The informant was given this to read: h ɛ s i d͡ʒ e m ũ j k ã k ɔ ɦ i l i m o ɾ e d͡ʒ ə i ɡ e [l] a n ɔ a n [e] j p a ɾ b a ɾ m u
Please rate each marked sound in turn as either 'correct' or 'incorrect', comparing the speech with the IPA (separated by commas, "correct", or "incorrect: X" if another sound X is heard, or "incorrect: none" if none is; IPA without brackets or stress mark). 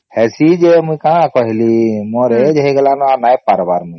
correct, incorrect: a